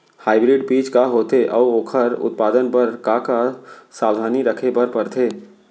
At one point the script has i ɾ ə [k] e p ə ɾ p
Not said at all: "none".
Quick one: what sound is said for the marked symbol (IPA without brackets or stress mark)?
kʰ